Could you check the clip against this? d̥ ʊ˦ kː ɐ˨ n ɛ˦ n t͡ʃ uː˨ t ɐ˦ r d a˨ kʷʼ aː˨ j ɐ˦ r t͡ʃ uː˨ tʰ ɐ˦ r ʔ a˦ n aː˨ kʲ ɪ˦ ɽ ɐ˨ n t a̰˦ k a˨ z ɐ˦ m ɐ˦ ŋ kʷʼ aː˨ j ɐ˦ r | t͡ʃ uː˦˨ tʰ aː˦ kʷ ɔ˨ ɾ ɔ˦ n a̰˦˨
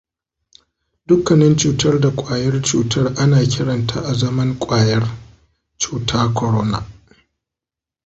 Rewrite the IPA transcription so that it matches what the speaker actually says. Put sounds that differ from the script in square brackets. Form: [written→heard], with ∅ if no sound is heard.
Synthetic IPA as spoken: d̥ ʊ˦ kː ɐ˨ n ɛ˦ n t͡ʃ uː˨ t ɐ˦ r d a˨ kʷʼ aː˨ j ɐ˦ r t͡ʃ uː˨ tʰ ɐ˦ r ʔ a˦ n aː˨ kʲ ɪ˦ ɽ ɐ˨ n t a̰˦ [k→ʔ] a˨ z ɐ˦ m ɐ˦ ŋ kʷʼ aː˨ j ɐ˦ r | t͡ʃ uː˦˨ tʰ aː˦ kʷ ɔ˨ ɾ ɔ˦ n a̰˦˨